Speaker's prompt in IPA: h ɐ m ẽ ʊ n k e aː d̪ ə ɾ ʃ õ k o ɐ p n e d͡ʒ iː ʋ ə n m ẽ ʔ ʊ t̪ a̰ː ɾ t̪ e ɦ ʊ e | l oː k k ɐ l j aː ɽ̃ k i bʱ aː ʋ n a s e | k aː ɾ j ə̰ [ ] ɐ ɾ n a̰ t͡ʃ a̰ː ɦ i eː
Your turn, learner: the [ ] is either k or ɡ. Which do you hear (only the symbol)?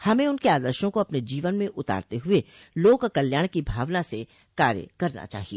k